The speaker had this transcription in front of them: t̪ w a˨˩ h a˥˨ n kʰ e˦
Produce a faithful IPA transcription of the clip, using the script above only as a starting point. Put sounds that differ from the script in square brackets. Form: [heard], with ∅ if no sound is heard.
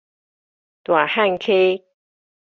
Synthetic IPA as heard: t̪ w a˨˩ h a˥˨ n kʰ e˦